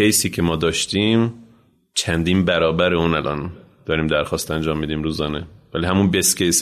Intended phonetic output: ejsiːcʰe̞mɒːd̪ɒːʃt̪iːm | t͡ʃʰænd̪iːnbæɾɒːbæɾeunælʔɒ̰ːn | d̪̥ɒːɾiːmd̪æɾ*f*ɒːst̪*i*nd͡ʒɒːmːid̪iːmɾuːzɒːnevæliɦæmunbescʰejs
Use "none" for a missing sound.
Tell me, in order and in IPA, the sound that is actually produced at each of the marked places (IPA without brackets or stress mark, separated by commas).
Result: x, æ